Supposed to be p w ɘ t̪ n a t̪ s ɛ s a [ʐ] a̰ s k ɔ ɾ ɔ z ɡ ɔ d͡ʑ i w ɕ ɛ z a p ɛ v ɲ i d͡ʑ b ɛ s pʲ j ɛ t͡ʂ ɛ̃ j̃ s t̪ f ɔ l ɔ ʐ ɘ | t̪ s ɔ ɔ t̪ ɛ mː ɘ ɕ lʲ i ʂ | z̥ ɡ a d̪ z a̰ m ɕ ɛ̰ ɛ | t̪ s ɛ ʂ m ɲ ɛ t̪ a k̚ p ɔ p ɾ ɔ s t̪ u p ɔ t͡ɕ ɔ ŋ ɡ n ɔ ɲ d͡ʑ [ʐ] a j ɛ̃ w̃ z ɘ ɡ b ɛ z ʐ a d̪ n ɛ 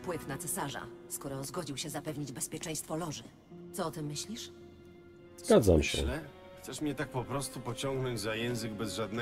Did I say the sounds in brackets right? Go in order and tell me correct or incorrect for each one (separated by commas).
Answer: correct, incorrect